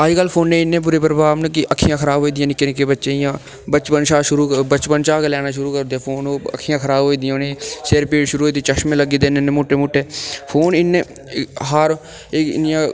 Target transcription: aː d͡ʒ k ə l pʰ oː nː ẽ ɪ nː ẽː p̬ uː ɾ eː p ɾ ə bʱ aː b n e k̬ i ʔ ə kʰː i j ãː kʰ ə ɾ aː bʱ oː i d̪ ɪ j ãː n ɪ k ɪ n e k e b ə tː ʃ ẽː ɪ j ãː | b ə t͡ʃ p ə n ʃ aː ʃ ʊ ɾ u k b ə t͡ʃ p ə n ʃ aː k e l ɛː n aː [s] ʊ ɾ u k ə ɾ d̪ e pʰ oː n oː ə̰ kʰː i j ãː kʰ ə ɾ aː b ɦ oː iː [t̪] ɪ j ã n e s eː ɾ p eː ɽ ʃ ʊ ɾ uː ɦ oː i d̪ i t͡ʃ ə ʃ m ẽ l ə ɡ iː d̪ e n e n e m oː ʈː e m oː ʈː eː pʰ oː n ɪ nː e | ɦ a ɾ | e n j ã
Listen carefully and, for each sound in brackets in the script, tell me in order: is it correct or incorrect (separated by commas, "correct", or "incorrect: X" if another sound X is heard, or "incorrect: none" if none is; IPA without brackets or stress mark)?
incorrect: ʃ, incorrect: d̪